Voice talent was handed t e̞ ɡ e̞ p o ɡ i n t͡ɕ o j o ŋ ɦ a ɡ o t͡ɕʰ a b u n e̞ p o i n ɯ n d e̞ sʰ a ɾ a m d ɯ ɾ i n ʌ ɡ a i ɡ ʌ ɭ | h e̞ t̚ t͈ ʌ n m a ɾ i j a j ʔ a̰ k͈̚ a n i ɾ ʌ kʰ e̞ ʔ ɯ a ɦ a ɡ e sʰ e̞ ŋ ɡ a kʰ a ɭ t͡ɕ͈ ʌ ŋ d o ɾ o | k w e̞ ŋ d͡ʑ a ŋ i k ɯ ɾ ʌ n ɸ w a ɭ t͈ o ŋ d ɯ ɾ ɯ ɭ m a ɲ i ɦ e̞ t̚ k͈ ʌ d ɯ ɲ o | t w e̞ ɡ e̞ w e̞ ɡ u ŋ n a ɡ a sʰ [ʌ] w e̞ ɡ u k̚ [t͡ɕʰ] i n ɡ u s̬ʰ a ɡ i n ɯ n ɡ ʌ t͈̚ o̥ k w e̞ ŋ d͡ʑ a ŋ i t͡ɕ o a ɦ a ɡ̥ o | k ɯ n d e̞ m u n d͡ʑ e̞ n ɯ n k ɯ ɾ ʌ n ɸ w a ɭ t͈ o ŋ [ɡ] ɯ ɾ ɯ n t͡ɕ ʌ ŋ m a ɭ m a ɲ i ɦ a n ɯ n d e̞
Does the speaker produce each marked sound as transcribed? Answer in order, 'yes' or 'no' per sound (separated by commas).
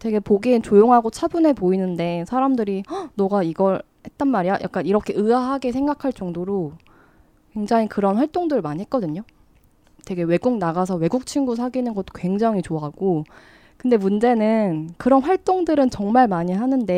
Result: yes, yes, no